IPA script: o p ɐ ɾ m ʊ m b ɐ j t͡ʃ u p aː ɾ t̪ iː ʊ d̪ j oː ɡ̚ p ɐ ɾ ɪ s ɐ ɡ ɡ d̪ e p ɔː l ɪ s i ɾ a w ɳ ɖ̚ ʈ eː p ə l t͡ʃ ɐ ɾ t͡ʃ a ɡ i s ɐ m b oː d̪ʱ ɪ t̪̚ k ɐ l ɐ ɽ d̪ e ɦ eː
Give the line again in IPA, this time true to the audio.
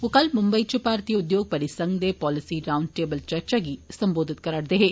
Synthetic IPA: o k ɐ l m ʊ m b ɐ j t͡ʃ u p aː ɾ t̪ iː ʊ d̪ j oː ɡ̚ p ɐ ɾ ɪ s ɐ ŋ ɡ d̪ e p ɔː l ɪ s i ɾ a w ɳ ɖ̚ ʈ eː b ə l t͡ʃ ɐ ɾ t͡ʃ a ɡ i s ɐ m b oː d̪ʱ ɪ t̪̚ k ɐ ɾ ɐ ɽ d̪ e ɦ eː